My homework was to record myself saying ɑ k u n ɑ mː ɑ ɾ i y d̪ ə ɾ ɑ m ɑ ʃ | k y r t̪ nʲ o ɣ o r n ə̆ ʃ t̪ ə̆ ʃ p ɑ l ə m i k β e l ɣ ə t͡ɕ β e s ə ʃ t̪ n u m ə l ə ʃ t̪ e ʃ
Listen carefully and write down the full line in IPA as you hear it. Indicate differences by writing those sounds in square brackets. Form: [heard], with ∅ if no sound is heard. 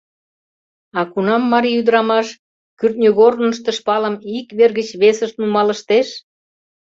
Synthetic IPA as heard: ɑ k u n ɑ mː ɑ ɾ i y d̪ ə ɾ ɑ m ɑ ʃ | k y r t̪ nʲ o ɣ o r n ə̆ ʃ t̪ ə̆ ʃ p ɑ l ə m i k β e [r] ɣ ə t͡ɕ β e s ə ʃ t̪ n u m [ɑ] l ə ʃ t̪ e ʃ